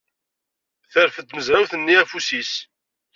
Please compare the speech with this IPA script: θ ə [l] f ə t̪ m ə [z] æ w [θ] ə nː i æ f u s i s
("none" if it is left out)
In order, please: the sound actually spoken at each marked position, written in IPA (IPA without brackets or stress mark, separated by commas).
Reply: ɾ, z, θ